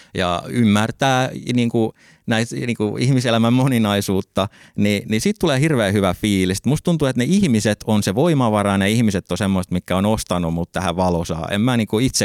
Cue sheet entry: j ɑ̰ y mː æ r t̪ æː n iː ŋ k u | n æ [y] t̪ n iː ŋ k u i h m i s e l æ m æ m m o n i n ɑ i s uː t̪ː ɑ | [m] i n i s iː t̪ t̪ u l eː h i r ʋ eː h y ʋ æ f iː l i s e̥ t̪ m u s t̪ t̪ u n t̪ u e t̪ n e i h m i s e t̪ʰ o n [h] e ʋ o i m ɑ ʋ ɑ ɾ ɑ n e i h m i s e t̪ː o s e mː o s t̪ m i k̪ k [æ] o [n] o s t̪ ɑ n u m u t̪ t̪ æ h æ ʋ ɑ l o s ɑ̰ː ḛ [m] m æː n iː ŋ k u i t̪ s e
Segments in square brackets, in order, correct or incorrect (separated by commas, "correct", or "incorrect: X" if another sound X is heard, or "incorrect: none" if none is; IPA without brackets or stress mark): incorrect: i, incorrect: n, incorrect: s, correct, correct, correct